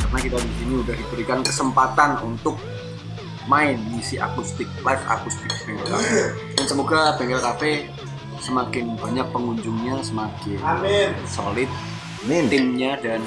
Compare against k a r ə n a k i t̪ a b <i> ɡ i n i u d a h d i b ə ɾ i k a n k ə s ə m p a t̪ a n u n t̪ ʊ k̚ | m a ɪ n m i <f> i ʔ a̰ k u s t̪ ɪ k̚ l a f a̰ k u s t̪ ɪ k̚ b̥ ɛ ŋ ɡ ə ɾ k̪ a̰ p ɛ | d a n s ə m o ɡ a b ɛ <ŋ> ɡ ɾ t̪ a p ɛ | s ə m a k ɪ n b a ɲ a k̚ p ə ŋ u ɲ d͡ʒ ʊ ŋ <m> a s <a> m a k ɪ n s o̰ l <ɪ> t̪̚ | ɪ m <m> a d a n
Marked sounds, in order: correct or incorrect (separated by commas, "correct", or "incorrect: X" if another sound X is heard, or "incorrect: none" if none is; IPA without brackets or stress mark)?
correct, incorrect: s, correct, incorrect: ɲ, incorrect: ə, correct, incorrect: ɲ